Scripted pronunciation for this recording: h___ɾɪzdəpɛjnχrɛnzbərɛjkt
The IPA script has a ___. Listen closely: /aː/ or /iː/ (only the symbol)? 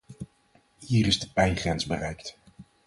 iː